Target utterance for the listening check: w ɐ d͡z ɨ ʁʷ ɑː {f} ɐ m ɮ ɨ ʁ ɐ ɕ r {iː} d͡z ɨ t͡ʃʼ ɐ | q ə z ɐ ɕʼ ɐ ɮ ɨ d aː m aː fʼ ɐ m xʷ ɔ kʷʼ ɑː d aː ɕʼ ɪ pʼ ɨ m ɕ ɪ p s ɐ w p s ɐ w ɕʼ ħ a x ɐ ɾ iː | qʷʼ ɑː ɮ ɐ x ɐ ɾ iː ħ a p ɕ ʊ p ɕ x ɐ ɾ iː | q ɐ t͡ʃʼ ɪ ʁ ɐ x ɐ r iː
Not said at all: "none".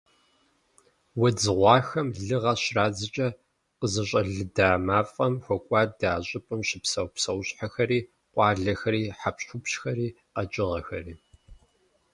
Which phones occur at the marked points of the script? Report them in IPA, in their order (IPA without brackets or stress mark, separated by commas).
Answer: x, aː